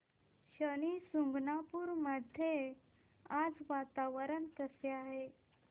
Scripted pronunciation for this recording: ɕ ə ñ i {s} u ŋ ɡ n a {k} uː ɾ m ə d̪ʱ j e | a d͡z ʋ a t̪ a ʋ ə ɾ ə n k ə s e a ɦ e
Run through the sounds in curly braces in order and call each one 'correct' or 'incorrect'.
correct, incorrect: p

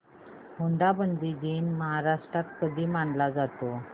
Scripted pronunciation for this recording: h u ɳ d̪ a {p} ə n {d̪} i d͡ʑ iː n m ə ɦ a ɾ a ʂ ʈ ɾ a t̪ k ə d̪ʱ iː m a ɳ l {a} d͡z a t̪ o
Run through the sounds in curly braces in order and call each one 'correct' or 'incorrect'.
incorrect: b, correct, correct

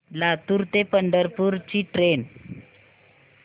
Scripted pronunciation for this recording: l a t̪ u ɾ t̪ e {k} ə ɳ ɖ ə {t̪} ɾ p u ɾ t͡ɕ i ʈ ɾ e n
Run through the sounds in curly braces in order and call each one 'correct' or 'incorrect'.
incorrect: p, incorrect: none

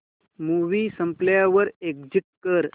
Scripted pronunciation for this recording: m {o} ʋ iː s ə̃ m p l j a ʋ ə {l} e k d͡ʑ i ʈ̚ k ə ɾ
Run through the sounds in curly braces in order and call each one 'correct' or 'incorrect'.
incorrect: u, incorrect: ɾ

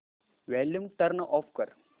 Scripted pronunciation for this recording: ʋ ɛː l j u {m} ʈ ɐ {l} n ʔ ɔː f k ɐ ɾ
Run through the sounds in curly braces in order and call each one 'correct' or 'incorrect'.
correct, incorrect: ɾ

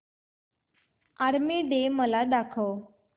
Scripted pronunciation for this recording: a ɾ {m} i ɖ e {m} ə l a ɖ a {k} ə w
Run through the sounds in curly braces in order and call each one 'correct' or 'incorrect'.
correct, correct, incorrect: kʰ

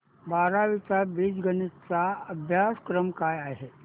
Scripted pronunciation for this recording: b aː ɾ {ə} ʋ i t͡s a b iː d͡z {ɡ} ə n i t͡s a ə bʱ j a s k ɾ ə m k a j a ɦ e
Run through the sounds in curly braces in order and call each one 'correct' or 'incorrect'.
incorrect: a, correct

